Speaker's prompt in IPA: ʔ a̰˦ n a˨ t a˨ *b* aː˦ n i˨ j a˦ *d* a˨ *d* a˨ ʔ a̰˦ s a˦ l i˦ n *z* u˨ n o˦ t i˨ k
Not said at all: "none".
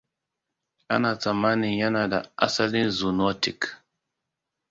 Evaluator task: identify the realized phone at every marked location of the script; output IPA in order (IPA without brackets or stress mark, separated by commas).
m, n, d, z